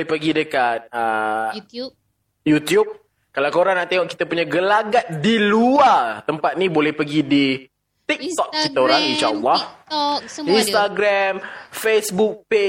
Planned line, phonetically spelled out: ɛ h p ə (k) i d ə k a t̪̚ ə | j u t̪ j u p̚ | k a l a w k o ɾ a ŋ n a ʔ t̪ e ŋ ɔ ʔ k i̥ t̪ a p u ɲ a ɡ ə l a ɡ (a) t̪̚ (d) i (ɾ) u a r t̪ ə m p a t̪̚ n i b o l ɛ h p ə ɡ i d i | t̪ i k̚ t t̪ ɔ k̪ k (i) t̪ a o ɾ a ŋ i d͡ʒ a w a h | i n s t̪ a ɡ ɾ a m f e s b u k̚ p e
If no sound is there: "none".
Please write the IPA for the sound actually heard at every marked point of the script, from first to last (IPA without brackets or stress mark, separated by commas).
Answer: ɡ, a, d, l, i